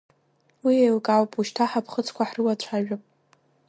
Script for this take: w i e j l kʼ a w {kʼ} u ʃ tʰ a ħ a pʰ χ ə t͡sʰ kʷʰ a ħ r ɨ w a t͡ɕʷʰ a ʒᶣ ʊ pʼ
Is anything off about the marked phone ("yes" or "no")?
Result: yes